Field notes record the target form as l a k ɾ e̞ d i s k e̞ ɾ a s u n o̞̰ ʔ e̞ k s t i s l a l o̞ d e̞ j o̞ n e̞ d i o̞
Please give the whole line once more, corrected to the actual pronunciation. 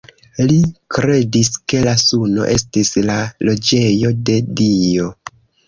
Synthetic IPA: l i k ɾ e̞ d i s k e̞ l a s u n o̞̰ ʔ e̞ s t i s l a l o̞ d͡ʒ e̞ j o̞ d e̞ d i o̞